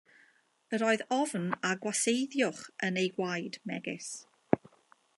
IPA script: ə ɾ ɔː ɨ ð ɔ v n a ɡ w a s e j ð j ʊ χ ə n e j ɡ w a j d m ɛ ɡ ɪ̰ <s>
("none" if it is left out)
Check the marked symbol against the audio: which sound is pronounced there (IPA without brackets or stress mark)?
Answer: s